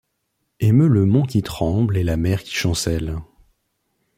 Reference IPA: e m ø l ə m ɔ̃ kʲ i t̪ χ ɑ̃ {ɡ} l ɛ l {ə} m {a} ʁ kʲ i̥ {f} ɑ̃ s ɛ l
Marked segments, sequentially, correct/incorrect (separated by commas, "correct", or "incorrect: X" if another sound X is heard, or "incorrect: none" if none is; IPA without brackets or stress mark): incorrect: b, incorrect: a, incorrect: ɛ, incorrect: ʃ